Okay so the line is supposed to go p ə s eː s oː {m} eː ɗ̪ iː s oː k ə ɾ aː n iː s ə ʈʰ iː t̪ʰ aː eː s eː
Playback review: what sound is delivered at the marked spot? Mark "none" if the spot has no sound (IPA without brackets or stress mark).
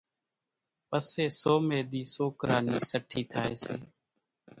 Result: m